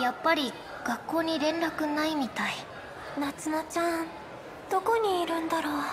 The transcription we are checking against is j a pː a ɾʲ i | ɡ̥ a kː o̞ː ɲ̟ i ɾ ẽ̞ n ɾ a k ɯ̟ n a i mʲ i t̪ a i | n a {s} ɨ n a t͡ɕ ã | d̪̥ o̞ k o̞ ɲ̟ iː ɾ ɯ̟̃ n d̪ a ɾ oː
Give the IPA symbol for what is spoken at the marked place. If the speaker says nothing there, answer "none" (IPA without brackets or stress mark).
t͡s